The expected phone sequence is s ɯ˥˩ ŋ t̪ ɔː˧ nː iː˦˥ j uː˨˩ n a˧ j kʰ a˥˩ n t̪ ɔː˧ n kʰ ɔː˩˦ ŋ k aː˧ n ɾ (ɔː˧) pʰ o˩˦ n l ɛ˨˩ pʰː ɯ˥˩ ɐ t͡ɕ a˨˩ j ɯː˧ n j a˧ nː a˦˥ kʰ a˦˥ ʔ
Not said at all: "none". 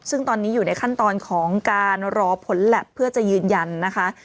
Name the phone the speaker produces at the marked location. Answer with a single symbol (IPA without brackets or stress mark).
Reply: ɔː˧